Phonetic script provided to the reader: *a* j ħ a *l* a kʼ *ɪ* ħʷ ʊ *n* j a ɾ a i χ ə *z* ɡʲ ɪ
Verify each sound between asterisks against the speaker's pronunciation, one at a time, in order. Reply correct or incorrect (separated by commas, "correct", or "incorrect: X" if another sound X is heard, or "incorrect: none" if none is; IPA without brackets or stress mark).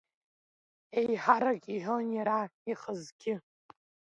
incorrect: e, incorrect: ɾ, incorrect: i, correct, correct